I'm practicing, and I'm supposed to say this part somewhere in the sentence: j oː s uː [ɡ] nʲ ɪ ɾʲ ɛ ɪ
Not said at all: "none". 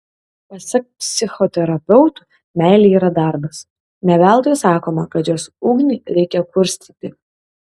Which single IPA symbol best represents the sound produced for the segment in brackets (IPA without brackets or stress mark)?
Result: ɡ